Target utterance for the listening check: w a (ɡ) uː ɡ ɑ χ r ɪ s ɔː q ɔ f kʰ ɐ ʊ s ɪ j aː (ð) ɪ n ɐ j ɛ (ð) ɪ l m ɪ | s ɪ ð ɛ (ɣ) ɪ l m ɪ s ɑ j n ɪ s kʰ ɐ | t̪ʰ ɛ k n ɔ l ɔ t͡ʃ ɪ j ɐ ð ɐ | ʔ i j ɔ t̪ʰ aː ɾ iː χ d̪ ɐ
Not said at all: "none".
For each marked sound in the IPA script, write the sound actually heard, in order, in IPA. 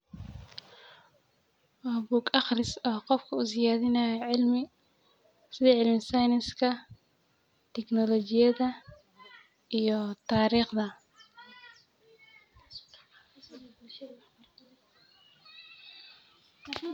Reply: b, ð, ʕ, ʕ

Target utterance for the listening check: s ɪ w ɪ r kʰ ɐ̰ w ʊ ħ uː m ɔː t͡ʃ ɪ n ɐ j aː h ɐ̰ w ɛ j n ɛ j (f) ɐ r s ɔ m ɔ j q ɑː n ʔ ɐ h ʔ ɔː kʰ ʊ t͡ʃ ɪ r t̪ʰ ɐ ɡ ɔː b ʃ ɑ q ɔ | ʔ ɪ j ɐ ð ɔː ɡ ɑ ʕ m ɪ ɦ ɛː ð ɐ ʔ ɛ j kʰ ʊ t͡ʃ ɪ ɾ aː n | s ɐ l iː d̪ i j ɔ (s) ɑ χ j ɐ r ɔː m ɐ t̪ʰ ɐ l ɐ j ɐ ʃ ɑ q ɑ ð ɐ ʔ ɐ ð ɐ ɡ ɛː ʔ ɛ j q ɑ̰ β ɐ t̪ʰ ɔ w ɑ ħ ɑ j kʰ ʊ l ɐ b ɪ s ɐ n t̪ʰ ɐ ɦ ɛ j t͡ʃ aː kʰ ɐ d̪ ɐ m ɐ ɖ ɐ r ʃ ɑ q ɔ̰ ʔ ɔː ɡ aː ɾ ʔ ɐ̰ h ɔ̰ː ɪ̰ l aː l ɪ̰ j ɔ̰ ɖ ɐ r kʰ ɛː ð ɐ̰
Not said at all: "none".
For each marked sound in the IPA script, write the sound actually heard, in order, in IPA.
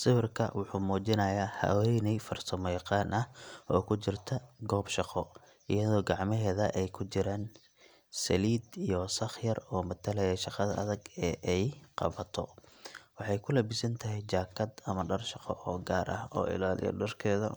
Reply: f, s

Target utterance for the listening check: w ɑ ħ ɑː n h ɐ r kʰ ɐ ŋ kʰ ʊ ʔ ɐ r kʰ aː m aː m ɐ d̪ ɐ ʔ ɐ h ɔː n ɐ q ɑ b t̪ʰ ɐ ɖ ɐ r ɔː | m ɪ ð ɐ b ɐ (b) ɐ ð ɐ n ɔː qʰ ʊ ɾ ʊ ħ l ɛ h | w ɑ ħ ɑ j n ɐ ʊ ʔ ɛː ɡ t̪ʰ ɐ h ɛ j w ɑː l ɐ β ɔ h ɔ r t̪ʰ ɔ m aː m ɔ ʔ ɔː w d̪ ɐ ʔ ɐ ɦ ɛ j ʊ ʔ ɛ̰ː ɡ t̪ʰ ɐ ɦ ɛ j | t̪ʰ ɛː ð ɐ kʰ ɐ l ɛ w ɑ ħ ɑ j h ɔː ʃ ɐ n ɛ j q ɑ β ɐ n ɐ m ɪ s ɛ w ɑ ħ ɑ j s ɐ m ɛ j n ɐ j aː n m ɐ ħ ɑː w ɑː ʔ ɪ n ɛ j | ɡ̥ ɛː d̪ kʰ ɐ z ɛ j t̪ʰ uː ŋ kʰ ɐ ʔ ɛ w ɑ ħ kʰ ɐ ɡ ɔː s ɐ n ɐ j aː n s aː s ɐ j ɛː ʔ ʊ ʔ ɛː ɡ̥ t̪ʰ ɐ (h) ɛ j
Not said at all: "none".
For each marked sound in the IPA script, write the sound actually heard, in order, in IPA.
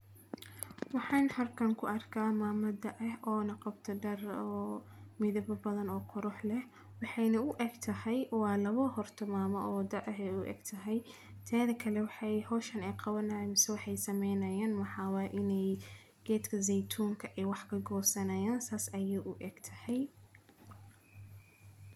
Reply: b, h

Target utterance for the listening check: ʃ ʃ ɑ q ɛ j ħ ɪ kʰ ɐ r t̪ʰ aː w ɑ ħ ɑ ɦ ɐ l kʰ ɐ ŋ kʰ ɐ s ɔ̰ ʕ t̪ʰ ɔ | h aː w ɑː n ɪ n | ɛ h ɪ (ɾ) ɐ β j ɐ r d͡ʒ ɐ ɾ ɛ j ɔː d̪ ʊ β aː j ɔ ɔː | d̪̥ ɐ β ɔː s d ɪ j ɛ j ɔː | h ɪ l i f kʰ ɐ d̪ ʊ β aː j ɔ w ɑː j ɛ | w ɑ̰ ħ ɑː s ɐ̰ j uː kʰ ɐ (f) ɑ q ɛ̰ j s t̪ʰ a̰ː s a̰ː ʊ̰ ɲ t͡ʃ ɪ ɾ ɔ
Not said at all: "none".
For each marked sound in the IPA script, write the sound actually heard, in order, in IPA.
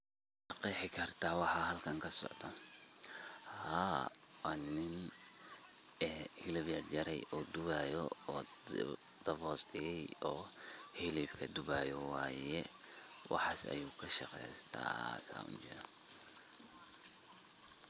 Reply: l, ʃ

